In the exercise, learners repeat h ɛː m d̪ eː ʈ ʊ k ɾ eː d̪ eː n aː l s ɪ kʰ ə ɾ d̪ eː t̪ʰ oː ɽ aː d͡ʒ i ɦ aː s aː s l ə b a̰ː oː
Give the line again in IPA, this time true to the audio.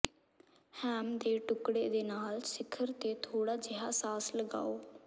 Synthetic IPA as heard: h ɛː m d̪ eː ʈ ʊ k ɽ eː d̪ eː n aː l s ɪ kʰ ə ɾ t̪ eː t̪ʰ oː ɽ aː d͡ʒ ɪ ɦ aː s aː s l ə ɡ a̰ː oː